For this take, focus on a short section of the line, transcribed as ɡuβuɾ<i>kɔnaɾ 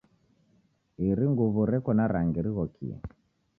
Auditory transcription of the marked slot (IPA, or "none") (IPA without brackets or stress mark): ɛ